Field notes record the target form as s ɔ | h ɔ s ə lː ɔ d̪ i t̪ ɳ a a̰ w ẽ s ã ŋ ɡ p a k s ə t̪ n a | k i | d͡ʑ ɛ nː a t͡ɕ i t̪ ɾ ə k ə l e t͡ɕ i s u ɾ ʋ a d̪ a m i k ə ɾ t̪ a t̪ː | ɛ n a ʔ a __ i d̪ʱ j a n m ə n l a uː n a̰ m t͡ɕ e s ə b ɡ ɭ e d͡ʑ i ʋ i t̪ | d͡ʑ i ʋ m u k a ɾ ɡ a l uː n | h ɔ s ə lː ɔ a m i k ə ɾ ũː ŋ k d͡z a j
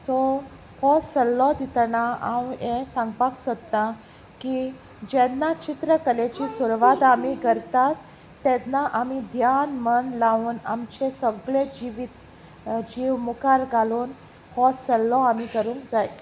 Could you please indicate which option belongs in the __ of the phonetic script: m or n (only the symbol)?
m